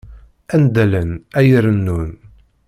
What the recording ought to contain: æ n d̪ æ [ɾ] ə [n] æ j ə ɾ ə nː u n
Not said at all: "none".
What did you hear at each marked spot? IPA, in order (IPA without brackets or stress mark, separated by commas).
l, n